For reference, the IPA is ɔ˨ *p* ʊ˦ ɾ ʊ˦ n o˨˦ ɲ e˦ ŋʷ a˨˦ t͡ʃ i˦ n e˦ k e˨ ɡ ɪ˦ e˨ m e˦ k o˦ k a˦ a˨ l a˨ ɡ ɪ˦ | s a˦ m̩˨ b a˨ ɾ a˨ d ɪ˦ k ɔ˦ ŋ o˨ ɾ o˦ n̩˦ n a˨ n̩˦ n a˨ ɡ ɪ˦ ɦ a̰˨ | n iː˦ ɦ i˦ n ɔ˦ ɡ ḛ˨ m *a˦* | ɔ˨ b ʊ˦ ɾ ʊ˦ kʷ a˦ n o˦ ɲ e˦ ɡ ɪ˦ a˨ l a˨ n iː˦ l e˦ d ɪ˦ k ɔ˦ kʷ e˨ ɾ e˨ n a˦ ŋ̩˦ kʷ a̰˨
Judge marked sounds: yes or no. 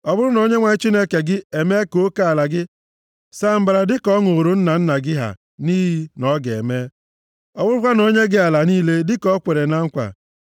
no, no

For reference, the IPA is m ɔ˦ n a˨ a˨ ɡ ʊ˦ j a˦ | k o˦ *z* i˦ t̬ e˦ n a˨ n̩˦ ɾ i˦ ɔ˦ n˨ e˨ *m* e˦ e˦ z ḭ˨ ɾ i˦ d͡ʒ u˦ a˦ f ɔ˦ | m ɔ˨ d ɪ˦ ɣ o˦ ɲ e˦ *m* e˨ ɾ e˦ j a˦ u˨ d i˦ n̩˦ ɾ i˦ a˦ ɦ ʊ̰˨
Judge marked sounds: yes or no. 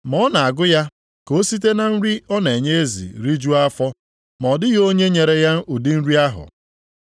no, no, no

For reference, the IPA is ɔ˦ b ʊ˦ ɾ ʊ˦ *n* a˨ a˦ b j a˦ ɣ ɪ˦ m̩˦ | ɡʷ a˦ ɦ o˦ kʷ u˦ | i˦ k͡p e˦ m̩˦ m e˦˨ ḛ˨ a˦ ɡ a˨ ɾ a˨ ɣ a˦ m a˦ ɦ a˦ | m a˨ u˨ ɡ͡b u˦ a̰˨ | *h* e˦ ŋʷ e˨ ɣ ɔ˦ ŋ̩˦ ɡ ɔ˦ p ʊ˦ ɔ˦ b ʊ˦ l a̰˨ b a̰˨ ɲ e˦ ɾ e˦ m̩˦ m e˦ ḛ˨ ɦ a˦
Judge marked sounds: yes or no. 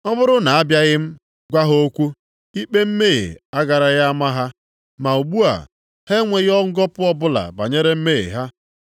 yes, yes

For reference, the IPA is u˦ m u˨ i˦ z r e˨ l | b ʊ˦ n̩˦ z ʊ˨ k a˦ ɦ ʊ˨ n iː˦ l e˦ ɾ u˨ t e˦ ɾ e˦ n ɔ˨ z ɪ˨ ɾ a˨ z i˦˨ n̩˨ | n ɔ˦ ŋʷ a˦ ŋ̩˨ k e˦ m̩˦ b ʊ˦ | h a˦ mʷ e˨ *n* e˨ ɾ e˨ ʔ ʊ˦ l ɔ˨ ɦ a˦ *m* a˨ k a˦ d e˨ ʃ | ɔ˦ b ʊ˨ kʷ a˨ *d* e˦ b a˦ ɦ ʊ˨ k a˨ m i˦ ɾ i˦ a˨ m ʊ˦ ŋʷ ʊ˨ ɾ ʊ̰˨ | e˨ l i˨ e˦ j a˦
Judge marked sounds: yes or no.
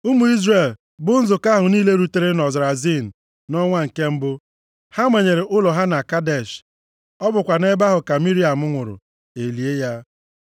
no, no, no

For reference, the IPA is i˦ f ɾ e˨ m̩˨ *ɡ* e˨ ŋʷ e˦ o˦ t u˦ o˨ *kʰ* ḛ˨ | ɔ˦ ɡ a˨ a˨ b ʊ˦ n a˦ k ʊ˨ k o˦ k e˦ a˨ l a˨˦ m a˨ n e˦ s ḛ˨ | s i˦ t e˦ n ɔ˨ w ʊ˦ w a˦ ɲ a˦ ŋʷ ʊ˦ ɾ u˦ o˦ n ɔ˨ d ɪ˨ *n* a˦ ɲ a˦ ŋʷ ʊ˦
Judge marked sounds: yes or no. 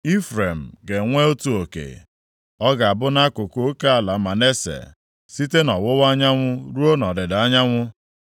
yes, no, no

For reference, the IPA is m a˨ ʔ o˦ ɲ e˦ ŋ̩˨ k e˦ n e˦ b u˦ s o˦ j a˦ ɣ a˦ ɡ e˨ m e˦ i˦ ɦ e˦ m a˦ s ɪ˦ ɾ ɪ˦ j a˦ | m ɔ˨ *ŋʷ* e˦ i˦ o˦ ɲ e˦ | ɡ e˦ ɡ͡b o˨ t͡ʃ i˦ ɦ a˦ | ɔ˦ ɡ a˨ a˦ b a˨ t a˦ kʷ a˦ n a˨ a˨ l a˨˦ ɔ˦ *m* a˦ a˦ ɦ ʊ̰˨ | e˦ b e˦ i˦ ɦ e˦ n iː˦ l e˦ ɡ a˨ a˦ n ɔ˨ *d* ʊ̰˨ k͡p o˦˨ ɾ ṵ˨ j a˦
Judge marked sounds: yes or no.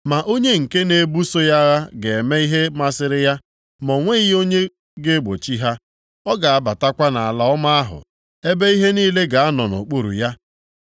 yes, yes, no

